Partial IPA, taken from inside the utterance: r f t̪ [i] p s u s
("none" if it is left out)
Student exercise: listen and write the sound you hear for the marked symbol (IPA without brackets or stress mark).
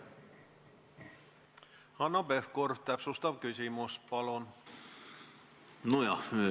æ